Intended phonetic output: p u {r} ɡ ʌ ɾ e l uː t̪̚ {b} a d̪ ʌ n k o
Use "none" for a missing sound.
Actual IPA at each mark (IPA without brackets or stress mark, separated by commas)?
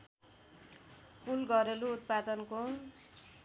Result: l, p